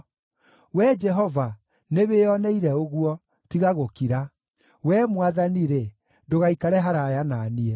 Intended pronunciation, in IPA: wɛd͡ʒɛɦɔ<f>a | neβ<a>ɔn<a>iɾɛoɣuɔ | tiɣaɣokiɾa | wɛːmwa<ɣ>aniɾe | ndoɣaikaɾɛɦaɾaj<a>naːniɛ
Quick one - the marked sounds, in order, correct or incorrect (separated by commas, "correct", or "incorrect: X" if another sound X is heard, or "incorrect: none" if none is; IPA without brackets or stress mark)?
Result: incorrect: v, incorrect: e, incorrect: ɛ, incorrect: ð, correct